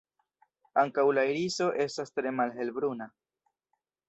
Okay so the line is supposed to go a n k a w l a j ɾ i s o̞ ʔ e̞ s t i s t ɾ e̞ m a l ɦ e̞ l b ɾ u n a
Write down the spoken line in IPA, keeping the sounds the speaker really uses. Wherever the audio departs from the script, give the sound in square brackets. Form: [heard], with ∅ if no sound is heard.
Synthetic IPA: a [ŋ] k a w l a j ɾ i s o̞ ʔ e̞ s t [a] s t ɾ e̞ m a l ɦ e̞ l b ɾ u n a